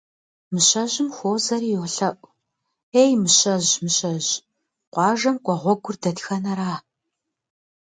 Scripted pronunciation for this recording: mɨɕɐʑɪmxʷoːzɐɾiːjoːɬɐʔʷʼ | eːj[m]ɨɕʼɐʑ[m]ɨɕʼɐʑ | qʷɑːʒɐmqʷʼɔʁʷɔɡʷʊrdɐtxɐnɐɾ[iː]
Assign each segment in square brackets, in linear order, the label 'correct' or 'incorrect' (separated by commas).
correct, correct, incorrect